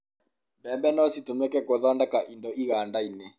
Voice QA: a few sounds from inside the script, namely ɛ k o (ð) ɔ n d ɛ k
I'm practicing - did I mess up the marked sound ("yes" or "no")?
no